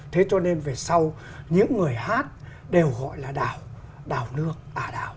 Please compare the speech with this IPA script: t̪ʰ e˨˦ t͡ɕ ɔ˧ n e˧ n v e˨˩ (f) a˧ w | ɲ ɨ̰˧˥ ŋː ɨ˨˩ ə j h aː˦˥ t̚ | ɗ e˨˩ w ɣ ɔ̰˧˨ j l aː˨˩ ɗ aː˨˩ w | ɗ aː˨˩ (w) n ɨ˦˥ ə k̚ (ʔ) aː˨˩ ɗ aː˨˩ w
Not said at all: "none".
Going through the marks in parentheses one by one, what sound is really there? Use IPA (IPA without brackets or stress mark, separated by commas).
s, w, ʔ